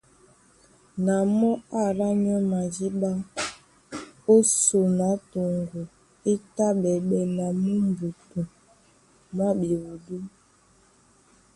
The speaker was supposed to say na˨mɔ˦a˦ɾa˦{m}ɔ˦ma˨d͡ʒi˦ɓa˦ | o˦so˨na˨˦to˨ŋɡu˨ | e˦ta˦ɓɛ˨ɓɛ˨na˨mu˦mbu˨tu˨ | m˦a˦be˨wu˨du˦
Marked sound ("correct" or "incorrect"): incorrect